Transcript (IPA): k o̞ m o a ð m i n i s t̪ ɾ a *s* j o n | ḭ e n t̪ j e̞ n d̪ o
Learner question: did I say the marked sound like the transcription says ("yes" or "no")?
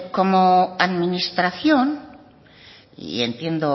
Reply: no